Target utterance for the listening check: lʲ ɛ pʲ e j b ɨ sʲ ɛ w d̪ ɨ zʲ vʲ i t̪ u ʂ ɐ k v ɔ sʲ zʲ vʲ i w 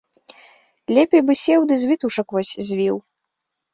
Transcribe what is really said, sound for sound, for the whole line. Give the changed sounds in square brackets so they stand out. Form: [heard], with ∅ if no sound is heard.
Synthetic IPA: lʲ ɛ pʲ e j b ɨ sʲ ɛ w d̪ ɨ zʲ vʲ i t̪ u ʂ ɐ k v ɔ sʲ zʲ vʲ i w